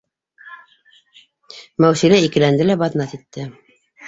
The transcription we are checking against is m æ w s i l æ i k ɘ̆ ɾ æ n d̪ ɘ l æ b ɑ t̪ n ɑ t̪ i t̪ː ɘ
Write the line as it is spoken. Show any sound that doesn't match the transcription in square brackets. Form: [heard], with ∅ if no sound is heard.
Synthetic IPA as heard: m æ w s i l æ i k ɘ̆ [l] æ n d̪ ɘ l æ b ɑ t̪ n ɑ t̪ i t̪ː ɘ